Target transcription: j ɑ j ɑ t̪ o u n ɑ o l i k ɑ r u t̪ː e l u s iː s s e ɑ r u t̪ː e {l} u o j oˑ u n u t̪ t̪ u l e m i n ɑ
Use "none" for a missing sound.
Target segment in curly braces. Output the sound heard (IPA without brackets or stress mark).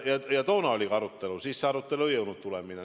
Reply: l